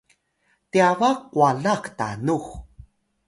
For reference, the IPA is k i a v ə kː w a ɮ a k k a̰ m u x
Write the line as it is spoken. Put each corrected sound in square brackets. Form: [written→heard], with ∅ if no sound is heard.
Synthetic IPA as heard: [k→t] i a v [ə→a] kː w a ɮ a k [k→t] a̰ [m→n] u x